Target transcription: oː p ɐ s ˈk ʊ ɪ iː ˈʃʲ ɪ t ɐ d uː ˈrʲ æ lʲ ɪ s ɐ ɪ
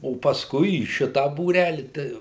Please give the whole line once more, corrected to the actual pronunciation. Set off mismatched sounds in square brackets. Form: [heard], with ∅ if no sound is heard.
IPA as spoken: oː p ɐ s ˈk ʊ ɪ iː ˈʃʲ ɪ t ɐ [b] uː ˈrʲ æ lʲ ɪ [t] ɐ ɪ